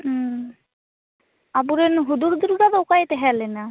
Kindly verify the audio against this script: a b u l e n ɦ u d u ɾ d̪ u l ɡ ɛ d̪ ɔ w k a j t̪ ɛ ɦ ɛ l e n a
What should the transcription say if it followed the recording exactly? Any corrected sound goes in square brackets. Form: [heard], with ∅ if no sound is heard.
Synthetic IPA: a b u [ɾ] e n ɦ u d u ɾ d̪ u [ɾ] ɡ [a] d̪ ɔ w k a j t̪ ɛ ɦ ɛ l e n a